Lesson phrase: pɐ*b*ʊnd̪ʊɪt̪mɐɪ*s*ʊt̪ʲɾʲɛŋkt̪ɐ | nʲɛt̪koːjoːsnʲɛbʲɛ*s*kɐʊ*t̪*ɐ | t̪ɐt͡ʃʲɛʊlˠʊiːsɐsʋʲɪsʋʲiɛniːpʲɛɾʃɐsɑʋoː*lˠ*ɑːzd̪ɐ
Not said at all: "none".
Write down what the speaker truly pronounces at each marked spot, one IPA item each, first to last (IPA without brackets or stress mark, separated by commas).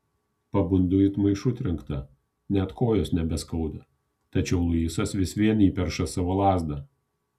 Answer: b, ʃ, s, d̪, lˠ